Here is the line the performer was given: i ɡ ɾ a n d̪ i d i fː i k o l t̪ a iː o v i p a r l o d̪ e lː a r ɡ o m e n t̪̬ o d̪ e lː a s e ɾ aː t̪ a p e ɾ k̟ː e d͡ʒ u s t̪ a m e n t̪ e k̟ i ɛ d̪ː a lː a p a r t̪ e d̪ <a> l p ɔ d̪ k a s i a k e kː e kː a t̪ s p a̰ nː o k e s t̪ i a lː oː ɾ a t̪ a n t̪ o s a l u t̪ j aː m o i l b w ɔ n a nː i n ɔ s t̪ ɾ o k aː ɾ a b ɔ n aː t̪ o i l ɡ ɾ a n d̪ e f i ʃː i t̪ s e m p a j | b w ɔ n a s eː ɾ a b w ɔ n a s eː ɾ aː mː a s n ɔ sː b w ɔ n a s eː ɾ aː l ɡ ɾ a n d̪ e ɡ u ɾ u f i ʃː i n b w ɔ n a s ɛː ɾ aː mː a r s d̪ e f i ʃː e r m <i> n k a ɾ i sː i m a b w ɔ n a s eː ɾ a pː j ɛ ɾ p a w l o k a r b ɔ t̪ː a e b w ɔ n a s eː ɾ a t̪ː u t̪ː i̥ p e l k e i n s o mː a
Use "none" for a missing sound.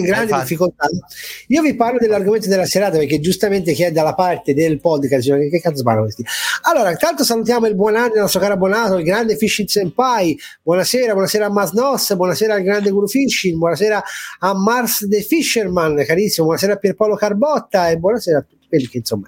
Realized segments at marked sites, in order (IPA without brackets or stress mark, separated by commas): e, a